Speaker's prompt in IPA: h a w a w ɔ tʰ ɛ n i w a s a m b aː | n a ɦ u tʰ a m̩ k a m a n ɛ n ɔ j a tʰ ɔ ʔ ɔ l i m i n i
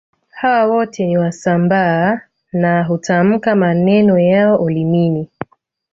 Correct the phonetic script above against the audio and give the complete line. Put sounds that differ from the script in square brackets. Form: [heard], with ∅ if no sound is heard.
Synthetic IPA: h a w a w ɔ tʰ ɛ n i w a s a m b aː | n a ɦ u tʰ a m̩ k a m a n ɛ n ɔ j a [∅] ɔ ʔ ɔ l i m i n i